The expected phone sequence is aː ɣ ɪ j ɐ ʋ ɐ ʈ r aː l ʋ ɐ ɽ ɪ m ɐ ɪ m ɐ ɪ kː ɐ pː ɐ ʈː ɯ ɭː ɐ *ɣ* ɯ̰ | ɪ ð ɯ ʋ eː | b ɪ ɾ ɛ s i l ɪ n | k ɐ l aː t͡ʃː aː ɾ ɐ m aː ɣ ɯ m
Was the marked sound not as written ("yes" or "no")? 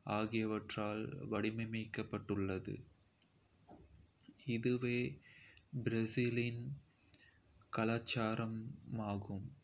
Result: yes